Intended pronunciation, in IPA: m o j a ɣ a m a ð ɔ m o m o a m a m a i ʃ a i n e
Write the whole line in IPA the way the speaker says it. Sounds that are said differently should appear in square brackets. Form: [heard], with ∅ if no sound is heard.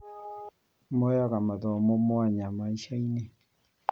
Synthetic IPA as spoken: m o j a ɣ a m a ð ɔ m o m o a [ɲ] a m a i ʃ a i n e

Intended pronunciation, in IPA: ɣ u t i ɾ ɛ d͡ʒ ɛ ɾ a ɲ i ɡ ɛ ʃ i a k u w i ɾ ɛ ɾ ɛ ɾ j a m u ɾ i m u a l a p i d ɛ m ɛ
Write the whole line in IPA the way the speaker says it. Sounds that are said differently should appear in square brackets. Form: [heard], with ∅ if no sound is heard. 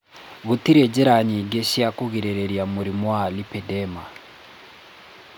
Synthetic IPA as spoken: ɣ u t i ɾ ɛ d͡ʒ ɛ ɾ a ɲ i ɡ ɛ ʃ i a k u [ɣ] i ɾ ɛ ɾ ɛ ɾ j a m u ɾ i m [w] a l [i] p [ɛ] d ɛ m [a]

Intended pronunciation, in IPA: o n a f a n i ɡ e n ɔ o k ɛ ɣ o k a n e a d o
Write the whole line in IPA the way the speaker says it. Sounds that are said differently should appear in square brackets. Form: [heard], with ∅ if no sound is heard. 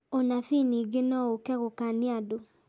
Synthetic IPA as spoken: o n a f [i] n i ɡ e n ɔ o k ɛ ɣ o k a n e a d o

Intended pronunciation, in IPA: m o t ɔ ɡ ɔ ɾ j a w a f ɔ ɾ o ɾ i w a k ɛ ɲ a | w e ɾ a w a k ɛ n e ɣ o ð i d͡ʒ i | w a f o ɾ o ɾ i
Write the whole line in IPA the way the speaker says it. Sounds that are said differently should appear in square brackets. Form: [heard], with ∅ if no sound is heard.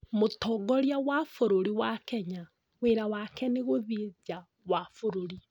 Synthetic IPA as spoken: m o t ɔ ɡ ɔ ɾ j a w a f [o] ɾ o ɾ i w a k ɛ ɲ a | w e ɾ a w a k ɛ n e ɣ o ð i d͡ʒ [a] | w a f o ɾ o ɾ i

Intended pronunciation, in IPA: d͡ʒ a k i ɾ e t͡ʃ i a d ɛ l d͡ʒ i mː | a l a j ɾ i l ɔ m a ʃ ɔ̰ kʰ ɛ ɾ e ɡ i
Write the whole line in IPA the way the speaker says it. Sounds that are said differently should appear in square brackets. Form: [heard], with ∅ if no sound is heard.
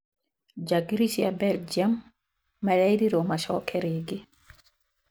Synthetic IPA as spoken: d͡ʒ a [ɡ] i ɾ [i] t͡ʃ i a [b] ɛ l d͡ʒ [a] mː | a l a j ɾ i [ɾ] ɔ m a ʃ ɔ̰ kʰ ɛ ɾ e ɡ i

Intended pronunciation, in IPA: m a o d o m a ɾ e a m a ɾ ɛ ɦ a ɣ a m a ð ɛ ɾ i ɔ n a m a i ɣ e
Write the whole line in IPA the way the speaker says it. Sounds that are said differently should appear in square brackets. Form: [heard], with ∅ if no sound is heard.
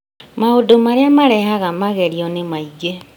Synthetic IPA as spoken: m a o d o m a ɾ e a m a ɾ ɛ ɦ a ɣ a m a [ɣ] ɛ ɾ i ɔ n [e] m a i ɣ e

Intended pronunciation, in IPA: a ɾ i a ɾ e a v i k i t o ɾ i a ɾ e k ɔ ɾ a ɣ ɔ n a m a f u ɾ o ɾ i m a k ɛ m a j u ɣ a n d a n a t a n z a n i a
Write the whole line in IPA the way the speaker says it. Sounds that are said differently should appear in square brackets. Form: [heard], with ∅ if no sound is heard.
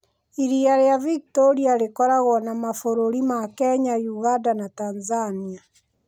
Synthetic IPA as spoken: [i] ɾ i a ɾ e a v i k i t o ɾ i a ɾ e k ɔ ɾ a ɣ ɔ n a m a f [o] ɾ o ɾ i m a k ɛ [ɲ] a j u ɣ a n d a n a t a n z a n i a

